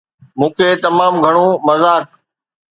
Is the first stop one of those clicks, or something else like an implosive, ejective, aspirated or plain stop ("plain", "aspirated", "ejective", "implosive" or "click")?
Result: aspirated